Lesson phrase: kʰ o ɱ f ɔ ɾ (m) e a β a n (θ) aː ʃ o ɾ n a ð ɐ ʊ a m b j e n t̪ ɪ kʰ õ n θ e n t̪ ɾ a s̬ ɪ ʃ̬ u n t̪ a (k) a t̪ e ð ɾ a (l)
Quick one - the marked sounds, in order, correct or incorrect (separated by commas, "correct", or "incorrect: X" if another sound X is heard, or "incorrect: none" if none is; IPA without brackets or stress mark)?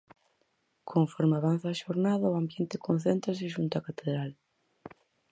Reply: correct, correct, correct, correct